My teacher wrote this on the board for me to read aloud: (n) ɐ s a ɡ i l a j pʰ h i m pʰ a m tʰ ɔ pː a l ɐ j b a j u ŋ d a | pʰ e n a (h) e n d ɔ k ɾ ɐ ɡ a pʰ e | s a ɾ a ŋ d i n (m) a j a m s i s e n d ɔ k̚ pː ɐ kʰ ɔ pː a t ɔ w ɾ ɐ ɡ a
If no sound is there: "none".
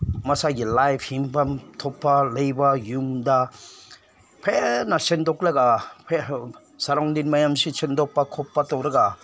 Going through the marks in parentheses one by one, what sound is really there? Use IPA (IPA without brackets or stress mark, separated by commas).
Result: m, s, m